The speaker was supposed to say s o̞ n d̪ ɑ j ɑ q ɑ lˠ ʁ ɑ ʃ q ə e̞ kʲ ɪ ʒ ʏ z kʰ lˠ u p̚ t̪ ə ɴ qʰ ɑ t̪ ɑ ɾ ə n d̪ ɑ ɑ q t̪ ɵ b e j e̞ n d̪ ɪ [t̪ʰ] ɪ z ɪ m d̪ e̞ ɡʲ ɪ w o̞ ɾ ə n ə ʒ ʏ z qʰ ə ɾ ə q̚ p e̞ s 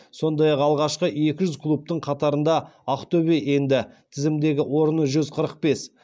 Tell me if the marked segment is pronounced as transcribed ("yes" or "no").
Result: yes